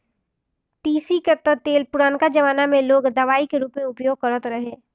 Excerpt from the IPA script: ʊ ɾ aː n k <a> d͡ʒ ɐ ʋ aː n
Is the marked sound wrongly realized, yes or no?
no